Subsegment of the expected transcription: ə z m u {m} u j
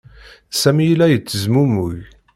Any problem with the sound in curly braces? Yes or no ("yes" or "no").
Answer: no